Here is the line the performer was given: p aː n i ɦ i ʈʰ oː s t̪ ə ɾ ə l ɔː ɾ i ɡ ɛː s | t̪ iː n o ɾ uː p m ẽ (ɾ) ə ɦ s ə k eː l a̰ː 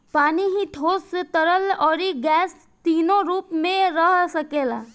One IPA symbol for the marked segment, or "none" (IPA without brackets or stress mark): ɾ